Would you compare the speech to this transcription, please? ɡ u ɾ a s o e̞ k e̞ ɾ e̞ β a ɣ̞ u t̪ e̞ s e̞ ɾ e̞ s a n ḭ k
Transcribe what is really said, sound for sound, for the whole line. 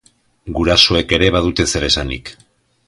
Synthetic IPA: ɡ u ɾ a s o e̞ k e̞ ɾ e̞ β a ð̞ u t̪ e̞ s e̞ ɾ e̞ s a n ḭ k